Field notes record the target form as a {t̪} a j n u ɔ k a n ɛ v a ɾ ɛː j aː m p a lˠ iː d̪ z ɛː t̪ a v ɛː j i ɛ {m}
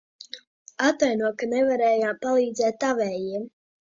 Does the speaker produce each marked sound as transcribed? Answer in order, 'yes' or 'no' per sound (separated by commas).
yes, yes